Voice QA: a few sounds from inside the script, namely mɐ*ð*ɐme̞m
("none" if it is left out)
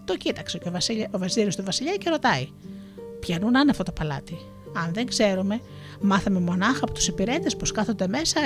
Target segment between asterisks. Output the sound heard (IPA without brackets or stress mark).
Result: θ